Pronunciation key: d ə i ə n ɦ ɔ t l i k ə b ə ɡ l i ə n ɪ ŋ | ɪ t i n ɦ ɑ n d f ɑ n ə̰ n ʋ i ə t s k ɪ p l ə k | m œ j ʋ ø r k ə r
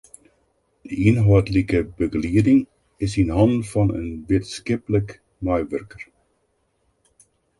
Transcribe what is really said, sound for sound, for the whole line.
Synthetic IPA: d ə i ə n ɦ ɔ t l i k ə b ə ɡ l i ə d ɪ ŋ | ɪ s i n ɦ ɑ n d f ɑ n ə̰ n ʋ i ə t s k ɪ p l ə k | m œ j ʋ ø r k ə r